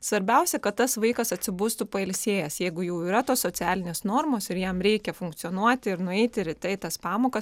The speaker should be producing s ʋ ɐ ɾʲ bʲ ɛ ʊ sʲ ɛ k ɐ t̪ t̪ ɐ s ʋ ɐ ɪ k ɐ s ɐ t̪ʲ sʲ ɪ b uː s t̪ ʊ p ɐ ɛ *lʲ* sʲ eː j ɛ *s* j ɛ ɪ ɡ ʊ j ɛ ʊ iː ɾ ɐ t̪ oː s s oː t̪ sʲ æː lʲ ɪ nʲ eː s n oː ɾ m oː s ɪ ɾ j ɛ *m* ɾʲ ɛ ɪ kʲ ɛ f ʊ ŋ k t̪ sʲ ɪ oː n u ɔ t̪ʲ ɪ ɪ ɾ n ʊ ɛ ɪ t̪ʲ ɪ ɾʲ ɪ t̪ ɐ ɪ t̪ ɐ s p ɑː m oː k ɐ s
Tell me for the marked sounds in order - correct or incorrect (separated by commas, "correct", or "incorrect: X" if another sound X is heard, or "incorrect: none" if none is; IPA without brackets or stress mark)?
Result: correct, correct, correct